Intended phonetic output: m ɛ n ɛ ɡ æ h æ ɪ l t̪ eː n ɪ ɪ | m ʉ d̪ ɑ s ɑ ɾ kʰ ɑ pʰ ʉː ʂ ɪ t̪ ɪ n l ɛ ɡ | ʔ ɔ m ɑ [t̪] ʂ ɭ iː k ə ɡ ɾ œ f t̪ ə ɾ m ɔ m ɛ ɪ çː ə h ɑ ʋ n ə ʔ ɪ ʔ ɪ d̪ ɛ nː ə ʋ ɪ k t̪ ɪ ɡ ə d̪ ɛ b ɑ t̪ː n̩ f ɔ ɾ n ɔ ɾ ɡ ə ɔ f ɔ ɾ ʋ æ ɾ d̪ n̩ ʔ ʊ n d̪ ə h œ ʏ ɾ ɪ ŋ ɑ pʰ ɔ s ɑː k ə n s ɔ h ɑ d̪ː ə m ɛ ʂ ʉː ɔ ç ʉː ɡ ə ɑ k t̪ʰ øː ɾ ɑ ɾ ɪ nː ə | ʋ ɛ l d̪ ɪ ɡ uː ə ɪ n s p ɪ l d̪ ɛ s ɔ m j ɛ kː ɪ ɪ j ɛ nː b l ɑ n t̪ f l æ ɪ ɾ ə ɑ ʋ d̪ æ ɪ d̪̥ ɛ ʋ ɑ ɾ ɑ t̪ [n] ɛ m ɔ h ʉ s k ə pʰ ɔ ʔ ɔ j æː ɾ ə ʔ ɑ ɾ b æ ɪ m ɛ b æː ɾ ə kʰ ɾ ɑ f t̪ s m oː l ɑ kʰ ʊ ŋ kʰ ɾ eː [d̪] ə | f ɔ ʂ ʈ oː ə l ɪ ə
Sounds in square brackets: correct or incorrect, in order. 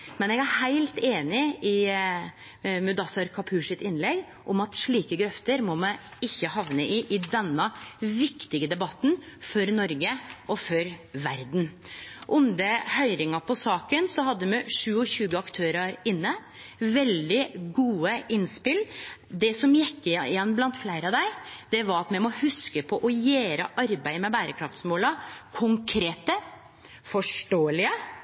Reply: correct, incorrect: m, incorrect: t̪

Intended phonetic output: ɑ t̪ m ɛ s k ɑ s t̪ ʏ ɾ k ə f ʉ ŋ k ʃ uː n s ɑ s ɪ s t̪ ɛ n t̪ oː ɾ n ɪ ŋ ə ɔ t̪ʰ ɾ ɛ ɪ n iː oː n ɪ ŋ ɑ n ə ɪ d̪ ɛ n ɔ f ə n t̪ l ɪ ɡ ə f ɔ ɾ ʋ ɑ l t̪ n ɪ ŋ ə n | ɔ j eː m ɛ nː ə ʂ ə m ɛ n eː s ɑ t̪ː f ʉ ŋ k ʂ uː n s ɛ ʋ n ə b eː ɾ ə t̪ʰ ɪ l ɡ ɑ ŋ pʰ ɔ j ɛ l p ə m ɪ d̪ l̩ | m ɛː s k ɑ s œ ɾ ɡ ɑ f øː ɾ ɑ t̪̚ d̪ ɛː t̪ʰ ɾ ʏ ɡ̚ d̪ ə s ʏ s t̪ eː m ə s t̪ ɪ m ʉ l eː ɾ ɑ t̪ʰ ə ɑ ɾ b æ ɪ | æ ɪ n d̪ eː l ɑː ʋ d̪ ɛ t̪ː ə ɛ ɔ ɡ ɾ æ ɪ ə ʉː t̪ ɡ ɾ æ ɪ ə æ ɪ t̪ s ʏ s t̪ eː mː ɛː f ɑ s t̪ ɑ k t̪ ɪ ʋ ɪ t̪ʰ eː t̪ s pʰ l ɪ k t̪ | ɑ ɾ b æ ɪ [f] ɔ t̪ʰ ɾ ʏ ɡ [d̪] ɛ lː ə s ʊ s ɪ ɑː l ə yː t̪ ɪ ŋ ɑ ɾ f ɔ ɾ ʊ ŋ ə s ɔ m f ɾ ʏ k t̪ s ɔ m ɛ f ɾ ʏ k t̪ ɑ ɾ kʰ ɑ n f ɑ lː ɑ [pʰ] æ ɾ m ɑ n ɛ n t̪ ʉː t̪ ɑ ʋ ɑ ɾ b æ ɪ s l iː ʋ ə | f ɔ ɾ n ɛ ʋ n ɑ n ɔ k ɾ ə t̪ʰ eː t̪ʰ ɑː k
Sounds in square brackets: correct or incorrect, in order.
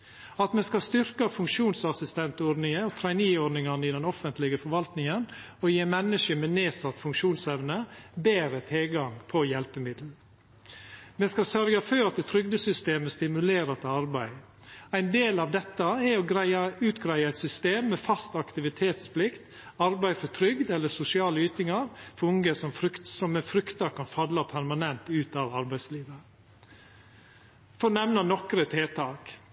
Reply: correct, correct, correct

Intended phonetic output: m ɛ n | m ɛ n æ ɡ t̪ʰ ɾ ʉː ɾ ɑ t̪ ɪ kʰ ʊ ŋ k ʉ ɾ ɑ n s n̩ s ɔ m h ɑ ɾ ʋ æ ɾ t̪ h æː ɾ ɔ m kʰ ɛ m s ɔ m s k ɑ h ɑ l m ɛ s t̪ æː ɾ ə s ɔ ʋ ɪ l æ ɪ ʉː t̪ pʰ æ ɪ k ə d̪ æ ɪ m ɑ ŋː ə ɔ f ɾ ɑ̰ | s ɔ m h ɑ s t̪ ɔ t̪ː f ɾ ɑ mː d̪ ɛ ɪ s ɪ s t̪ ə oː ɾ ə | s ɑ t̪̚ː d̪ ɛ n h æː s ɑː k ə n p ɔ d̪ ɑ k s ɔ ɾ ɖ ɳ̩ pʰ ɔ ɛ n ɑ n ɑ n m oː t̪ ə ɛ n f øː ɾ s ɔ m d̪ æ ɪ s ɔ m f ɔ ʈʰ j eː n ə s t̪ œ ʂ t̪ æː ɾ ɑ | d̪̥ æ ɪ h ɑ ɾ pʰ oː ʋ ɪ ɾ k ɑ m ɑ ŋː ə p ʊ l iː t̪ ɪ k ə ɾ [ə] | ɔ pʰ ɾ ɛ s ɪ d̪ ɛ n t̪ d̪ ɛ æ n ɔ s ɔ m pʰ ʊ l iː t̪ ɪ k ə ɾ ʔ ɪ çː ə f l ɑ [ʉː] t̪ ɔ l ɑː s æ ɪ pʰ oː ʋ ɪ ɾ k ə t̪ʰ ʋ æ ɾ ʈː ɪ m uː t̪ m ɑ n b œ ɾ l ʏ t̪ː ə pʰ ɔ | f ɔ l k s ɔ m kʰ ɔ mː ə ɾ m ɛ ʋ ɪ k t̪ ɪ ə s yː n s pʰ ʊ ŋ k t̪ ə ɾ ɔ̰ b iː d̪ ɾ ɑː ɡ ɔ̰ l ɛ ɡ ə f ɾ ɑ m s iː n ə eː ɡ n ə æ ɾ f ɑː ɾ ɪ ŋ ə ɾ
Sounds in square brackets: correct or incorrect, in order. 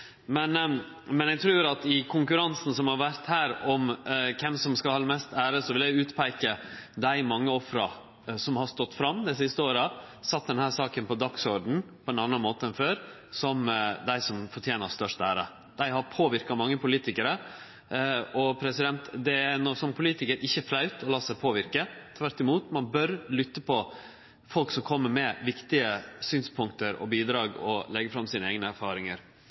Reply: correct, incorrect: ʉ

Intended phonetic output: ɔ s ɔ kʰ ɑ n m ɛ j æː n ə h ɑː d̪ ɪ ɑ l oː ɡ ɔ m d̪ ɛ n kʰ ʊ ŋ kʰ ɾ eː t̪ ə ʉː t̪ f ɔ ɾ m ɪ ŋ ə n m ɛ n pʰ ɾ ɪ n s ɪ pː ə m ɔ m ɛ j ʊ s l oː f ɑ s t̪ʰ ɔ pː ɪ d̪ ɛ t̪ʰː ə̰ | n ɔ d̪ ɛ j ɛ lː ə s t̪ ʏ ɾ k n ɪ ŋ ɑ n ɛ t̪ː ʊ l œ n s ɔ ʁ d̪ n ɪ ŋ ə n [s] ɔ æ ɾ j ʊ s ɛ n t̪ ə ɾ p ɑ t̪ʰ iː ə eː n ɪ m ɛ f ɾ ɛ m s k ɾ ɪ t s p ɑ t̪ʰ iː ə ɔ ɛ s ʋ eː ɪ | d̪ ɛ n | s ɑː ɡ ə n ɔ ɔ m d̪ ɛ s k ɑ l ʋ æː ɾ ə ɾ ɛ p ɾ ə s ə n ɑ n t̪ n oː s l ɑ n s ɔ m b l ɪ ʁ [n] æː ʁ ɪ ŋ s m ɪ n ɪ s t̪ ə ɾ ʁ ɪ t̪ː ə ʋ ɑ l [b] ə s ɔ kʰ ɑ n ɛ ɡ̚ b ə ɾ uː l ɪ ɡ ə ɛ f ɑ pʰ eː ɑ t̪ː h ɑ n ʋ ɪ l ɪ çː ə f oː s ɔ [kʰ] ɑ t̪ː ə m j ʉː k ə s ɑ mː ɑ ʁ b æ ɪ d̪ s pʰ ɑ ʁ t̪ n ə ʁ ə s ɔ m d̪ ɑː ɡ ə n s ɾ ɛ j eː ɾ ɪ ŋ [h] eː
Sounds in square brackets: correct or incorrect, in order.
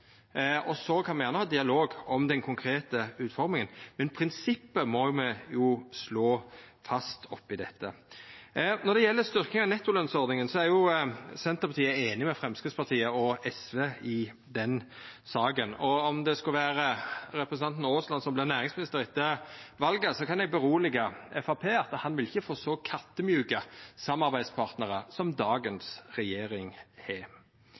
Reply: correct, correct, incorrect: ɡ, correct, correct

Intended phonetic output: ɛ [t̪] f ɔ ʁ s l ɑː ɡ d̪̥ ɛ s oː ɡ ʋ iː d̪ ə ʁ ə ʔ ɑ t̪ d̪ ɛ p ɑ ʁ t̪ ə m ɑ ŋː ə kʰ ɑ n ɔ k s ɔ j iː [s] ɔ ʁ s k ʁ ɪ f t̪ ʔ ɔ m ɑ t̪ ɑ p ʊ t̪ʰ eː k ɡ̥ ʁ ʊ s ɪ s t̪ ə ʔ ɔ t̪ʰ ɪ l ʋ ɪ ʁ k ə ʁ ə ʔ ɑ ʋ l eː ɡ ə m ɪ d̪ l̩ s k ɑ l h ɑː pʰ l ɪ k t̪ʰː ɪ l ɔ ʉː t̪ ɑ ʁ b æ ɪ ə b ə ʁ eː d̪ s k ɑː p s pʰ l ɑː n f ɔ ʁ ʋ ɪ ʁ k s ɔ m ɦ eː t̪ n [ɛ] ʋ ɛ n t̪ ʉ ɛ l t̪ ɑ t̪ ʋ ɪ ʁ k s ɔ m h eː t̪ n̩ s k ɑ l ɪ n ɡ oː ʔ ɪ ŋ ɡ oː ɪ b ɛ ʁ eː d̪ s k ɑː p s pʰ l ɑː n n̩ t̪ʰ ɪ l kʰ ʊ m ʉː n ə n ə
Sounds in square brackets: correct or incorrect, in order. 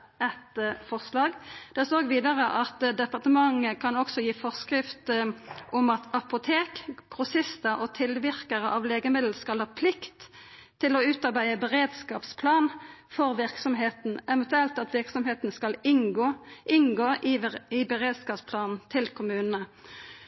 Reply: correct, incorrect: f, correct

